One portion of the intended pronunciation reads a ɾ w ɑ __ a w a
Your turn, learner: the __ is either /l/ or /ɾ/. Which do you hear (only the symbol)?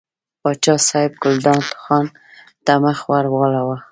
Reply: l